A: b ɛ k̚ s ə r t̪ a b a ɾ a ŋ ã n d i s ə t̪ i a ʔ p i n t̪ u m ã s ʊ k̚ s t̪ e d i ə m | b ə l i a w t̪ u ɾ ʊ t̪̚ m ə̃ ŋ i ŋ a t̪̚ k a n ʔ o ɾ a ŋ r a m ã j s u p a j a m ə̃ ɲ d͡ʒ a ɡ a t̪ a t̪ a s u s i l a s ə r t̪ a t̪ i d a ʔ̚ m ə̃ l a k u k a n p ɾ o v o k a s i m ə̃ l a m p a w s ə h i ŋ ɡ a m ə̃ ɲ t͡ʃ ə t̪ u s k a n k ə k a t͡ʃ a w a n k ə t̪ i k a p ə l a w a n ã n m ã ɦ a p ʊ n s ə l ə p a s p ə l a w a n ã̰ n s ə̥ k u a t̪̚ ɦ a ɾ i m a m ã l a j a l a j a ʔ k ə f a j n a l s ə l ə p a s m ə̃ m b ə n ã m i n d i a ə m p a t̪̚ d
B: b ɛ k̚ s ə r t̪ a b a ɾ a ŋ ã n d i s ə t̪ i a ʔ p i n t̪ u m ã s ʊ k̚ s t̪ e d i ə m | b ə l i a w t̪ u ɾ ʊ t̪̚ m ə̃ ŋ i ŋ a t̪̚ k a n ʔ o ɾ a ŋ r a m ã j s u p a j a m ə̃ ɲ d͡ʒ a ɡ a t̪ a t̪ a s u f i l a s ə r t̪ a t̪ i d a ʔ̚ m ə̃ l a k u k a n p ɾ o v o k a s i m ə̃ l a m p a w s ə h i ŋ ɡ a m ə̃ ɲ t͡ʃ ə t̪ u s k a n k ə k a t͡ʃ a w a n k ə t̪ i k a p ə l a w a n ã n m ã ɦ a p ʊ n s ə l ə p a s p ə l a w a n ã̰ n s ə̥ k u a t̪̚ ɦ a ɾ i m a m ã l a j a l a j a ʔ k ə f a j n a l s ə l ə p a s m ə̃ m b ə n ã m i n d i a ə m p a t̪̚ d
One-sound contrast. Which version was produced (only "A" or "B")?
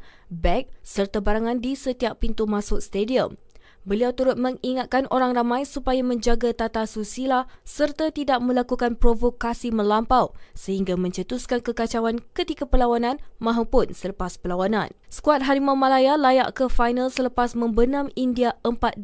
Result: A